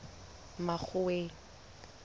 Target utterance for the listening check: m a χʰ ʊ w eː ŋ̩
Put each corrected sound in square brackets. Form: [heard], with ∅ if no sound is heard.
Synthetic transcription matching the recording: m a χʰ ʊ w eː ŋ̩